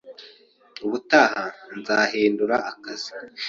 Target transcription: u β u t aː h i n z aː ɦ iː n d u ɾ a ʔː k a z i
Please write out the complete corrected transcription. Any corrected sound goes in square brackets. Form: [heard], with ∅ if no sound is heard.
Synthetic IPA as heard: u β u t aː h [a] n z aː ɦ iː n d u ɾ a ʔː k a z i

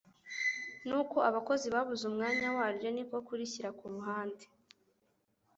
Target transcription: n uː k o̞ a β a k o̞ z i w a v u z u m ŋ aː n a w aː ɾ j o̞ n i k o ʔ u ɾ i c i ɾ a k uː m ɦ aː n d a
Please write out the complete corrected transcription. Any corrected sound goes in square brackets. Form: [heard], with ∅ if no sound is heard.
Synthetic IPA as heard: n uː k o̞ a β a k o̞ z i [β] a [β] u z u m ŋ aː [ɲ] a w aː ɾ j o̞ n i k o [k] u ɾ i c i ɾ a k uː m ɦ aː n d [e]

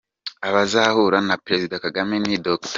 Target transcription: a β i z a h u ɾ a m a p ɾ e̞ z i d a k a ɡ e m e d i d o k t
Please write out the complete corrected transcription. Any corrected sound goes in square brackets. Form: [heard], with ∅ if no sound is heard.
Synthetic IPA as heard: a β [a] z a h u ɾ a [n] a p ɾ e̞ z i d a k a ɡ [a] m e [n] i d o k t

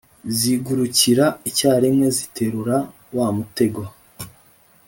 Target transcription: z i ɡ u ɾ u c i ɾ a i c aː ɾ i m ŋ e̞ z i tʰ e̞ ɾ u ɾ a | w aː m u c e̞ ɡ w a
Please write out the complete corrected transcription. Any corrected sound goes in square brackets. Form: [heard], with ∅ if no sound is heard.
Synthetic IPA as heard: z i ɡ u ɾ u c i ɾ a i c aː ɾ i m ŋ e̞ z i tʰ e̞ ɾ u ɾ a | w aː m u [t] e̞ ɡ w a

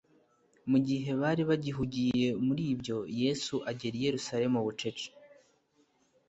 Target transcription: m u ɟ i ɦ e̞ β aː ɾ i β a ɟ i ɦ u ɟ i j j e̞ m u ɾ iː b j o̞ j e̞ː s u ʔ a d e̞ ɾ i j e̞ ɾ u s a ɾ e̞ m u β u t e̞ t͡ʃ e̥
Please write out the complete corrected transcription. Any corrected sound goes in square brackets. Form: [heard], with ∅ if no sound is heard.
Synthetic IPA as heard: m u ɟ i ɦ e̞ β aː ɾ i β a ɟ i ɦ u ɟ i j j e̞ m u ɾ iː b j o̞ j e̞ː s u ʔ a [ɟ] e̞ ɾ i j e̞ ɾ u s a ɾ e̞ m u β u [t͡ʃ] e̞ t͡ʃ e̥

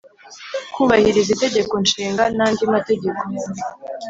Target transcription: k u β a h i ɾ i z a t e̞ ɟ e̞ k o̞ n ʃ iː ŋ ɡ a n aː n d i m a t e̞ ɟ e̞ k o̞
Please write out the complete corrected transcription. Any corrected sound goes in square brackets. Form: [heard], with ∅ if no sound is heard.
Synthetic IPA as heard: k u β a h i ɾ i z [i] t e̞ ɟ e̞ k o̞ n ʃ iː ŋ ɡ a n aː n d i m a t e̞ ɟ e̞ k o̞

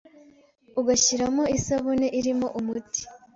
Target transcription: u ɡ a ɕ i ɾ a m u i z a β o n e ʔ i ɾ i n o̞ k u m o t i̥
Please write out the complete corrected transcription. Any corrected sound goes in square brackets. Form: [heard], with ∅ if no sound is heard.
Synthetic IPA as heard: u ɡ a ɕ i ɾ a m [o] i [s] a β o n e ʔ i ɾ i [m] o̞ [ʔ] u m [u] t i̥

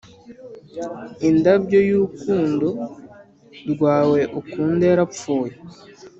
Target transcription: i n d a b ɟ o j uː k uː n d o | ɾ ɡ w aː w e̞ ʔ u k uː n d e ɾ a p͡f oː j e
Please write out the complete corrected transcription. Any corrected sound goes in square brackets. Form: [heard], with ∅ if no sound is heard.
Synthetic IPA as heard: i n d a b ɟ o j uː k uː n d o | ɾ ɡ w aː w e̞ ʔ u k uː n d e ɾ a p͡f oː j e

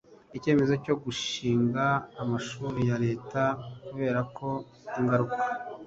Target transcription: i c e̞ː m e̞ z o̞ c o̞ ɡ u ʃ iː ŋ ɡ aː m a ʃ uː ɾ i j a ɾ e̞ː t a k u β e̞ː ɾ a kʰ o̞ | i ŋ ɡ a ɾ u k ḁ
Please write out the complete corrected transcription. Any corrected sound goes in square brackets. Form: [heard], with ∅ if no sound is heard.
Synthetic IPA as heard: i c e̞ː m e̞ z o̞ c o̞ ɡ u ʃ iː ŋ ɡ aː m a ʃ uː ɾ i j a ɾ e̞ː t a k u β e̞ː ɾ a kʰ o̞ | i ŋ ɡ a ɾ u k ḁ

